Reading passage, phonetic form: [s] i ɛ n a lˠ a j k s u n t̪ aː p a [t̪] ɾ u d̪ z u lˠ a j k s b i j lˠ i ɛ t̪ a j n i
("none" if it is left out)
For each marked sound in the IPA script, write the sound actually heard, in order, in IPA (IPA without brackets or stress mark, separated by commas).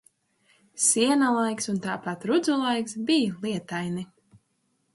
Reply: s, t̪